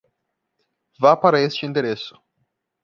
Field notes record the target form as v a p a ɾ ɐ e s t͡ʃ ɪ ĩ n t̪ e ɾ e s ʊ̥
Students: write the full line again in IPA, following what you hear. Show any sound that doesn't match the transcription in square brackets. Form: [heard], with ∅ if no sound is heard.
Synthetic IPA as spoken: v a p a ɾ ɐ e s t͡ʃ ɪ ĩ n [d̪] e ɾ e s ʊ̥